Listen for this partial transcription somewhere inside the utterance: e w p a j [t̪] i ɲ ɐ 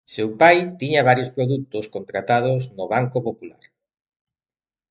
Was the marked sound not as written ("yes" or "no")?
no